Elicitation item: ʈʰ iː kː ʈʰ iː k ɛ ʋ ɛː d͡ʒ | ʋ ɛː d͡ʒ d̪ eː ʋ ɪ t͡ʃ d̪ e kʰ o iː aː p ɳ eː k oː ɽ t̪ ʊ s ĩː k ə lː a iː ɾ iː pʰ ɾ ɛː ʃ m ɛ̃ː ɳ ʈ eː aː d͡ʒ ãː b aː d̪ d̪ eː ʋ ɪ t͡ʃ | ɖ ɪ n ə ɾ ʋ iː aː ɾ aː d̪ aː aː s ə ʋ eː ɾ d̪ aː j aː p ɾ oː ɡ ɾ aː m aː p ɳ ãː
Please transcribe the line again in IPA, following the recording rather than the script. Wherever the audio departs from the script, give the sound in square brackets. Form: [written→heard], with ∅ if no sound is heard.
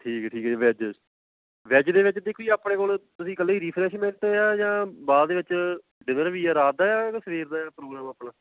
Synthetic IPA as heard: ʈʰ iː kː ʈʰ iː k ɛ ʋ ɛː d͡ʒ | ʋ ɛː d͡ʒ d̪ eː ʋ ɪ t͡ʃ d̪ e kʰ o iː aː p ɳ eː k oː [ɽ→l] t̪ ʊ s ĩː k ə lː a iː ɾ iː pʰ ɾ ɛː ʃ m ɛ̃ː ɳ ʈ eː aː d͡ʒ ãː b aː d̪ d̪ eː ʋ ɪ t͡ʃ | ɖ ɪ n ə ɾ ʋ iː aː ɾ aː d̪ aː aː s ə ʋ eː ɾ d̪ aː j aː p ɾ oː ɡ ɾ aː m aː p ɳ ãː